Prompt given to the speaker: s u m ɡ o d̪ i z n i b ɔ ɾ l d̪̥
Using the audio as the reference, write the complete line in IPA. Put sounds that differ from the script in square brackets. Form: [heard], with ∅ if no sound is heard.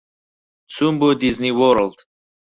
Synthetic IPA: s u m [b] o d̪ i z n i [w] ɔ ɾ l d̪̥

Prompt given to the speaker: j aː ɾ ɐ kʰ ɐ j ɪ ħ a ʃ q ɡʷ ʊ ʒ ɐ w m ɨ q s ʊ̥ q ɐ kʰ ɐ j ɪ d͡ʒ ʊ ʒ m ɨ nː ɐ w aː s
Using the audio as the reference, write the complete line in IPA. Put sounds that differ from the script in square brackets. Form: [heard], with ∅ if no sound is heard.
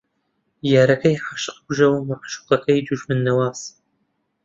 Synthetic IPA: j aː ɾ ɐ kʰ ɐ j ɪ ħ a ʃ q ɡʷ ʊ ʒ ɐ w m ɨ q [ʃ] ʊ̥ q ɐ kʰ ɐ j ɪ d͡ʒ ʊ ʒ m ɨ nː ɐ w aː s

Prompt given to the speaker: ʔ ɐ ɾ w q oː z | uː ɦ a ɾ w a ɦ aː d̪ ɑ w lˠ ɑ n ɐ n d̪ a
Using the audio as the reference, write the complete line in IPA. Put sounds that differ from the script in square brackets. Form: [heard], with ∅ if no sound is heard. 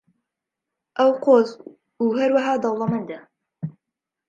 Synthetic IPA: ʔ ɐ [∅] w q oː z | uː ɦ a ɾ w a ɦ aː d̪ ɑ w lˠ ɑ [m] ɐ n d̪ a

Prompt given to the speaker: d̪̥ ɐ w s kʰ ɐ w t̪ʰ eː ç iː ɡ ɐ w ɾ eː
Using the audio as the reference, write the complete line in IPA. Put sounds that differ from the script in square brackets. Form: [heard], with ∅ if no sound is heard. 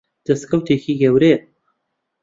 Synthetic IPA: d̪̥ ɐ [∅] s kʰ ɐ w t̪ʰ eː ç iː ɡ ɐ w ɾ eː

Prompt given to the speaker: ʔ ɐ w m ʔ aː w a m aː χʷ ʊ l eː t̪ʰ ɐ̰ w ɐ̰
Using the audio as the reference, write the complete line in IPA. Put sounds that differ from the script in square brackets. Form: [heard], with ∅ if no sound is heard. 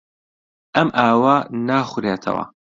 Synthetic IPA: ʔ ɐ [∅] m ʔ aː w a [n] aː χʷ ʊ [ɾ] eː t̪ʰ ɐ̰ w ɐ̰

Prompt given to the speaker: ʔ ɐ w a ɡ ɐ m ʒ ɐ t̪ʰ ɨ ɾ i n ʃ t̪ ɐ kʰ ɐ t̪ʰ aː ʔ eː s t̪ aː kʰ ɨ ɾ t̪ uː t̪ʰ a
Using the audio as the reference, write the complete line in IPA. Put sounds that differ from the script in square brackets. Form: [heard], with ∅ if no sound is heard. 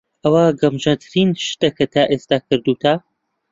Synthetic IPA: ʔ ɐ w a ɡ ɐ m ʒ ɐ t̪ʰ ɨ ɾ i n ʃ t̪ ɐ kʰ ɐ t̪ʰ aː ʔ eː s t̪ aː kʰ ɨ ɾ [d̪] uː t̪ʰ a

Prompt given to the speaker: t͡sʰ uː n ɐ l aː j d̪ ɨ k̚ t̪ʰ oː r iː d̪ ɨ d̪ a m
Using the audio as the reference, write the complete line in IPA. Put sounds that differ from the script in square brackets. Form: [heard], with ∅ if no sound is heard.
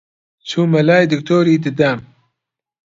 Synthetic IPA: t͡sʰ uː [m] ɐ l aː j d̪ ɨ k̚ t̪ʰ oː [ɾ] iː d̪ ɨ d̪ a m

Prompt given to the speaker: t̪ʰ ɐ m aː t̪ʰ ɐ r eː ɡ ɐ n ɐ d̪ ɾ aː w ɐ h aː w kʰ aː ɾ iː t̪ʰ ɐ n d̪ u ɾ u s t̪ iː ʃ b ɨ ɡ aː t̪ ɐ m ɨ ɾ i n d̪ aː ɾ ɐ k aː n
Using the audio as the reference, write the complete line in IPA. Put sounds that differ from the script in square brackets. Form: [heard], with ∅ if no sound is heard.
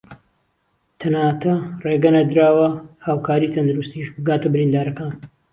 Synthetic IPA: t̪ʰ ɐ [n] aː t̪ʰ ɐ r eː ɡ ɐ n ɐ d̪ ɾ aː w ɐ h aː w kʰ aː ɾ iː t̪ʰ ɐ n d̪ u ɾ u s t̪ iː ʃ b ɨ ɡ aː t̪ ɐ [b] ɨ ɾ i n d̪ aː ɾ ɐ k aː n

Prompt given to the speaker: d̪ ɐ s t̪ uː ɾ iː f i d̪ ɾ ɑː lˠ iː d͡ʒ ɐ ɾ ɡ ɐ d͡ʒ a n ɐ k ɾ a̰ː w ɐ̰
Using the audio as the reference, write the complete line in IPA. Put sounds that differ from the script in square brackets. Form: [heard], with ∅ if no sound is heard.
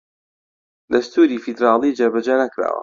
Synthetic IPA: d̪ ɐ s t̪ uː ɾ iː f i d̪ ɾ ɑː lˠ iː d͡ʒ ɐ ɾ [b] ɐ d͡ʒ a n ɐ k ɾ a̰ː w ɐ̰

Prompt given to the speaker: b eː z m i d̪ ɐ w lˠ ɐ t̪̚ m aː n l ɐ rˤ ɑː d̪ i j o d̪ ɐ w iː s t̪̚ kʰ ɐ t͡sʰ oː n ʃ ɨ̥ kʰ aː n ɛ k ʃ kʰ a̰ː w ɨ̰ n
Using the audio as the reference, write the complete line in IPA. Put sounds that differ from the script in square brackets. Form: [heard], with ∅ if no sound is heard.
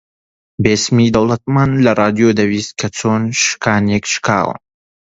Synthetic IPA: b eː [s] m i d̪ ɐ w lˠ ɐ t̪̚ m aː n l ɐ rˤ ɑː d̪ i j o d̪ ɐ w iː s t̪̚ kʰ ɐ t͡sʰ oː n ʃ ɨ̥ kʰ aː n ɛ k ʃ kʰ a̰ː w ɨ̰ n

